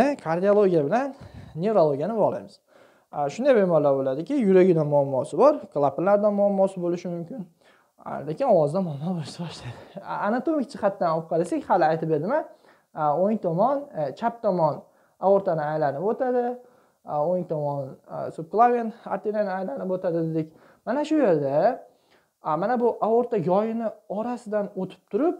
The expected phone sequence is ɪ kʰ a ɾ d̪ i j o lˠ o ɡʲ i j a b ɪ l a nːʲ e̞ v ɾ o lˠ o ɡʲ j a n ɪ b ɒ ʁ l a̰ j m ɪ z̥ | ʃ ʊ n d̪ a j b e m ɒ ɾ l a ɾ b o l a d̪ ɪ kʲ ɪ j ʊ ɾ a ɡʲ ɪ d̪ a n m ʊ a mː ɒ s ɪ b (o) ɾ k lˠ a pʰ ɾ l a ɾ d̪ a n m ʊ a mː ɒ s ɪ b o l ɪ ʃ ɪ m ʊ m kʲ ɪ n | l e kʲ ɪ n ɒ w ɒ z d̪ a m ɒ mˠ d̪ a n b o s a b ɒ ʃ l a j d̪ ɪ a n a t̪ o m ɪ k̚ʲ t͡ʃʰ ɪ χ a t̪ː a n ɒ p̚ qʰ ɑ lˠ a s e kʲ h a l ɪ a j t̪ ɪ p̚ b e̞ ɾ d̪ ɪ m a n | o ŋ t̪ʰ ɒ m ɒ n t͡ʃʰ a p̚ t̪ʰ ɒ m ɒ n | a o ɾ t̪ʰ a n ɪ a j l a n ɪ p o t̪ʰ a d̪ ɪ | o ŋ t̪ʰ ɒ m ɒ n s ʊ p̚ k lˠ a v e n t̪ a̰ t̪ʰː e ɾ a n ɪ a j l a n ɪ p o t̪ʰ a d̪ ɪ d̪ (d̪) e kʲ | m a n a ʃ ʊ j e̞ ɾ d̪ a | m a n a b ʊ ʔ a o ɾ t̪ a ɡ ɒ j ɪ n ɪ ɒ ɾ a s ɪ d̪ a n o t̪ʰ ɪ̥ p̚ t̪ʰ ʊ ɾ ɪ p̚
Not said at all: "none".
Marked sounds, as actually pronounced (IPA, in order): ɒ, d̪

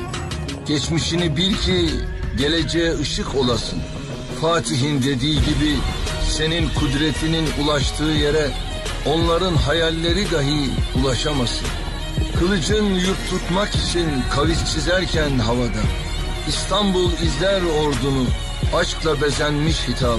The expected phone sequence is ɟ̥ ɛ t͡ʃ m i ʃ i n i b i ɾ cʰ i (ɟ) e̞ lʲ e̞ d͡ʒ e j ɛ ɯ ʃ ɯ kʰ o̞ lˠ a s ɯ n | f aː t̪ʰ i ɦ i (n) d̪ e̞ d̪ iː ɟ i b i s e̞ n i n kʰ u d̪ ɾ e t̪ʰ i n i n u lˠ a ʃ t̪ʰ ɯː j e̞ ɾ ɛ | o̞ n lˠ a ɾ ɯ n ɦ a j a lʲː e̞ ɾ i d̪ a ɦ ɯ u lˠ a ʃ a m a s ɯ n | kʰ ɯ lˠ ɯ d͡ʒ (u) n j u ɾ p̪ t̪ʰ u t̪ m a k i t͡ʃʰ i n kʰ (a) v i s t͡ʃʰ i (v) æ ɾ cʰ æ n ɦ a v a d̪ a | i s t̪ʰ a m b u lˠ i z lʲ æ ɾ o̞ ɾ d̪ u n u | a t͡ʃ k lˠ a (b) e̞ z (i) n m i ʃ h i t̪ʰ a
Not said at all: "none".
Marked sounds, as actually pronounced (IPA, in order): ɟ, n, ɯ, a, z, b, æ

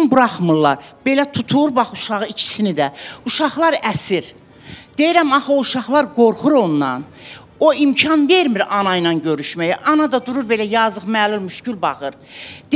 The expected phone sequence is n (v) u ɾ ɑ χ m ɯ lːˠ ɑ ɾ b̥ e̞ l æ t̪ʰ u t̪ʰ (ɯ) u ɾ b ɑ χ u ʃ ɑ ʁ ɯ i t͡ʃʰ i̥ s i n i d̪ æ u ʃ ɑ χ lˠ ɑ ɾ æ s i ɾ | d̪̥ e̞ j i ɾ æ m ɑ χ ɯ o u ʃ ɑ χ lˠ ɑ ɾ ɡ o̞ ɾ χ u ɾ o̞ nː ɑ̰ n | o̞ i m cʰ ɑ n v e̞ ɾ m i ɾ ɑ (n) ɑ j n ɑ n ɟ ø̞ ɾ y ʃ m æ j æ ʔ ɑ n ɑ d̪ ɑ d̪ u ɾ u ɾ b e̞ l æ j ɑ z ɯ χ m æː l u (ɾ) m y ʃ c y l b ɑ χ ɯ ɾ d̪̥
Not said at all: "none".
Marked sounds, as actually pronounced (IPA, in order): b, u, n, l

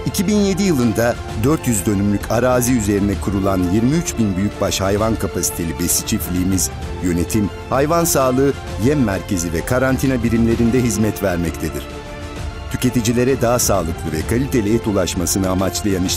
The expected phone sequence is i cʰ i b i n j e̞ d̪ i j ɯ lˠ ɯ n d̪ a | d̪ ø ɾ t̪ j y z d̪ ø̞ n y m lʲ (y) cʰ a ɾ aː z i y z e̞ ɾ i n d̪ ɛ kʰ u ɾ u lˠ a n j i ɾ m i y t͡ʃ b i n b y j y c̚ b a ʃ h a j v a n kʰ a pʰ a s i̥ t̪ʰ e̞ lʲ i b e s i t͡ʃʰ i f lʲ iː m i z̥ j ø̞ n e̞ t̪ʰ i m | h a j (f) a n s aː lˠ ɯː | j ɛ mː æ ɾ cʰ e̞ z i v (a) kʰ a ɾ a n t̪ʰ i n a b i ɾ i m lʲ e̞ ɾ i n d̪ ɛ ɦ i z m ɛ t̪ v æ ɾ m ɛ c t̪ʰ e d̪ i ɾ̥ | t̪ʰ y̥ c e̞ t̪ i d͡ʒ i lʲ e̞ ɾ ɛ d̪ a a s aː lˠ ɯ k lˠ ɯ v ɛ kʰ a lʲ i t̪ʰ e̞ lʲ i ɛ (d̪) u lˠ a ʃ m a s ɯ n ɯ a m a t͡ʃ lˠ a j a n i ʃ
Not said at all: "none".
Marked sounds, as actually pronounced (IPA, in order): y, v, ɛ, t̪

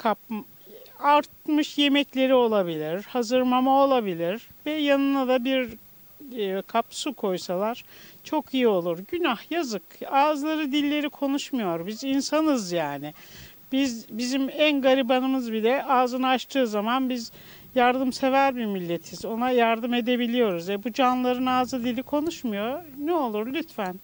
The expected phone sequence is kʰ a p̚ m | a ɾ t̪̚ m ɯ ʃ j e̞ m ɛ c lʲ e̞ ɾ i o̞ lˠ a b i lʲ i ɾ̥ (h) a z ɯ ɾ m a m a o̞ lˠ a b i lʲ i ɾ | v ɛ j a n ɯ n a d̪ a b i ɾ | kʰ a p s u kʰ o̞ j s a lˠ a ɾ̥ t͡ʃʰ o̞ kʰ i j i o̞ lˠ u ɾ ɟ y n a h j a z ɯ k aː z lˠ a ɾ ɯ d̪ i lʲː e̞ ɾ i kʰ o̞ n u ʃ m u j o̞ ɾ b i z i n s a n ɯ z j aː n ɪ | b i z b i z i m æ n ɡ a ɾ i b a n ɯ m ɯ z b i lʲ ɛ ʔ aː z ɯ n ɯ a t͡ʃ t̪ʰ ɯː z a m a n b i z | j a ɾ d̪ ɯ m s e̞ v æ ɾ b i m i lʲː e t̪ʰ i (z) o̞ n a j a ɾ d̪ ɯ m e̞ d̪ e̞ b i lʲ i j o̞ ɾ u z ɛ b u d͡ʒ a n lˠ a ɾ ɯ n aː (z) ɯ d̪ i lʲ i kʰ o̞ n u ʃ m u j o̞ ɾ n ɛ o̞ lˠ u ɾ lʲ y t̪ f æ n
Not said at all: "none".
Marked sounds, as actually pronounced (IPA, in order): h, z, z

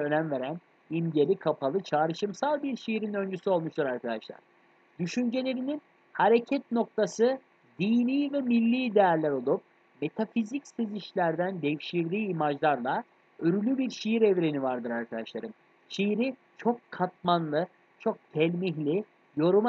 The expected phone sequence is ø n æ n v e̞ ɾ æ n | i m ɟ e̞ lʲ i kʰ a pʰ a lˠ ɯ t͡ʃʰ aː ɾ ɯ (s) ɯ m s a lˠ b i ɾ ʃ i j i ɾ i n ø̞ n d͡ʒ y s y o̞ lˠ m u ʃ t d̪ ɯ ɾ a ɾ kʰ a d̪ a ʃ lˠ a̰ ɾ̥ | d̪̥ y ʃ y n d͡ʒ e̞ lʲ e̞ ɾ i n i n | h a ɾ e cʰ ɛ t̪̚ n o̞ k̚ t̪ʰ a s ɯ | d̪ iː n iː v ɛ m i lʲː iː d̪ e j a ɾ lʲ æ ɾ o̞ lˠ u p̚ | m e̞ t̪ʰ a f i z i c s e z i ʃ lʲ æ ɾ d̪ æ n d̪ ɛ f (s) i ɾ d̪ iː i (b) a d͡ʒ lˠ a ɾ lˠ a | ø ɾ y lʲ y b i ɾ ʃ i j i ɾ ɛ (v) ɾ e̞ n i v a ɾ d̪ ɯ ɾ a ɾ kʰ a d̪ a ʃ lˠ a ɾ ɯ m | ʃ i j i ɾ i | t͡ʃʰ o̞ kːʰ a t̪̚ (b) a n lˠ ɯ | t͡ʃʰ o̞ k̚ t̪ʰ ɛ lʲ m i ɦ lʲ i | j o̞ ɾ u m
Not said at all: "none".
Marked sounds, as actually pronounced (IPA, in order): ʃ, ʃ, m, v, m

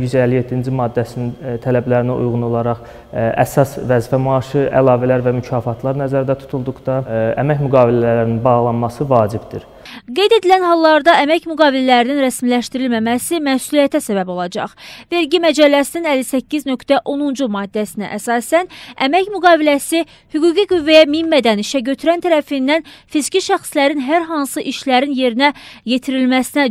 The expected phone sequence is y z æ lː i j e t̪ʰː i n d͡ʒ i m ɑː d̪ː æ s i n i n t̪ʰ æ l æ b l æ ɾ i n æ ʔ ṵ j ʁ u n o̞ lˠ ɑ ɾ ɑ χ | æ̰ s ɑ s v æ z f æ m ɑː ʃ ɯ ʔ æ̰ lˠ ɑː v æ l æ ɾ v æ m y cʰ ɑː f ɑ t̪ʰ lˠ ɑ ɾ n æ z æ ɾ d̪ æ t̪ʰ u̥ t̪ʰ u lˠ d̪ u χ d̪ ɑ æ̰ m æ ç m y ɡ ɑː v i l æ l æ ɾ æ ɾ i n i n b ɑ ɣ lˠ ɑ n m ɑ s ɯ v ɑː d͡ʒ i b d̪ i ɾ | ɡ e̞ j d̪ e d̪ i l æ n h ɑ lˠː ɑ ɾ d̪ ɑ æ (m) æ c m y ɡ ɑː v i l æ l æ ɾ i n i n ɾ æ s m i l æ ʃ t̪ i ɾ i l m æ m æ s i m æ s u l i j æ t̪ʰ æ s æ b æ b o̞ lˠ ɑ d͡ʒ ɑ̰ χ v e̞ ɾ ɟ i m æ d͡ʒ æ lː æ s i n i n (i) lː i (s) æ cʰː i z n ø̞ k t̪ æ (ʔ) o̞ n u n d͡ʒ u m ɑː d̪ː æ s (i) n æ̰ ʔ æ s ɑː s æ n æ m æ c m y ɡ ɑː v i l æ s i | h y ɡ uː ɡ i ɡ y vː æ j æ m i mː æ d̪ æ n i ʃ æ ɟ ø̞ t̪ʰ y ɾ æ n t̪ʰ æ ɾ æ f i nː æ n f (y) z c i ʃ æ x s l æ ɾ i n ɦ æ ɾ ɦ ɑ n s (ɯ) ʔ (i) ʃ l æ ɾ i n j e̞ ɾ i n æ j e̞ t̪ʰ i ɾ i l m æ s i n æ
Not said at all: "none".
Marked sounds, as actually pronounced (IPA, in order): m, æ, s, ʔ, i, i, ɯ, i

